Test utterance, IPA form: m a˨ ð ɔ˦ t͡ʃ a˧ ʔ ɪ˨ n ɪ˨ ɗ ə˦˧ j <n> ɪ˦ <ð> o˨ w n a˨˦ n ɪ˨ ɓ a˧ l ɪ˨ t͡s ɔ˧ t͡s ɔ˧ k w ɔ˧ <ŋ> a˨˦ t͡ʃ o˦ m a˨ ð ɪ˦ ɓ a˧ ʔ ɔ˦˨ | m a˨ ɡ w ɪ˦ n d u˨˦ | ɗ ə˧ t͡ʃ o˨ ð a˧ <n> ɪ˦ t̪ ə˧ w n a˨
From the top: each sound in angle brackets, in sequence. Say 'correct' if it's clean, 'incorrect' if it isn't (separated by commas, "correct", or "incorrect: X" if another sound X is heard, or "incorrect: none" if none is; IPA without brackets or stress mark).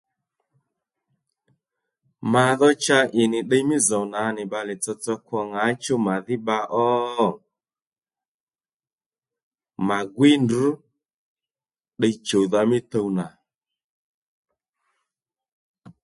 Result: incorrect: m, incorrect: z, correct, incorrect: m